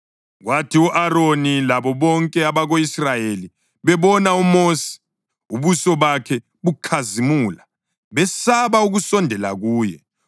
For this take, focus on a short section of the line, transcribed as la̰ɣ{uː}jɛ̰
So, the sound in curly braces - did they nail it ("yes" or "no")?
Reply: yes